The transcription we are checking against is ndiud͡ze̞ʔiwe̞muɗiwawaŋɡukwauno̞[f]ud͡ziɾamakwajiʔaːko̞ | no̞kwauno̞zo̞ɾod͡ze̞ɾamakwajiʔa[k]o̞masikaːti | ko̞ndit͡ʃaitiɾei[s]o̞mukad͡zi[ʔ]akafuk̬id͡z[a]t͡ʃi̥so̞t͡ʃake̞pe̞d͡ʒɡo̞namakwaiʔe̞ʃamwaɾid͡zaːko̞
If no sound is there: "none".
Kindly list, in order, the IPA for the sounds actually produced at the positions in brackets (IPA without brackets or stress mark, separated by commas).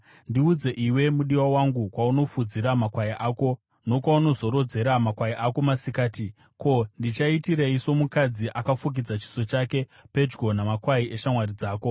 f, k, s, ʔ, a